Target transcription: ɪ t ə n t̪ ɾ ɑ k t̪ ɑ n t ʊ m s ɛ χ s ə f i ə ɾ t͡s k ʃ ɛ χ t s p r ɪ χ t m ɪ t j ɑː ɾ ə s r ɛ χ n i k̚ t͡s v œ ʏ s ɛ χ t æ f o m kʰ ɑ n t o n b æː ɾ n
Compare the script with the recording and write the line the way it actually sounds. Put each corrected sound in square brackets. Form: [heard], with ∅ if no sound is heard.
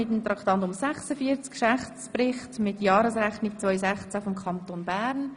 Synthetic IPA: ɪ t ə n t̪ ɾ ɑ k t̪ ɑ n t ʊ m s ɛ χ s ə f i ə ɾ t͡s k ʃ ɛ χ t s p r ɪ χ t m ɪ t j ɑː ɾ ə s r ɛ χ n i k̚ t͡s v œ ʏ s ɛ χ [t͡s] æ f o m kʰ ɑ n t o n b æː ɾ n